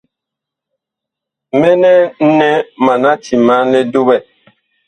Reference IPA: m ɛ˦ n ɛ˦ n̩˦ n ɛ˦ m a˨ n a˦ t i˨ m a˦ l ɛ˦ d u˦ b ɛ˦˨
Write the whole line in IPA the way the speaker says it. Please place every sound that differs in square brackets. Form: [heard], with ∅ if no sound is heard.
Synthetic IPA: m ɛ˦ n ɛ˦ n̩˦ n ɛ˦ m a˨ n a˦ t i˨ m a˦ l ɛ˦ d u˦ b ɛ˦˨